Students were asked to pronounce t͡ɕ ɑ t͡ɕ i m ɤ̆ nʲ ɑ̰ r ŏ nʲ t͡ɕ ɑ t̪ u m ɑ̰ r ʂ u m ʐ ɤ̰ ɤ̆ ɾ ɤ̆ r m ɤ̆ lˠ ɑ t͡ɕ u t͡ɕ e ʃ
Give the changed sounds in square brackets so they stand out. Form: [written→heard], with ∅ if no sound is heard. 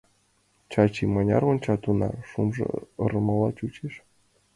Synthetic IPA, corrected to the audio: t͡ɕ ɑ t͡ɕ i m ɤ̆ nʲ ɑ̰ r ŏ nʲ t͡ɕ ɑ t̪ u [m→n] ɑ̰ r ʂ u m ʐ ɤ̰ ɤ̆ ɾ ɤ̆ [r→∅] m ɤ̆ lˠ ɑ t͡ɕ u t͡ɕ e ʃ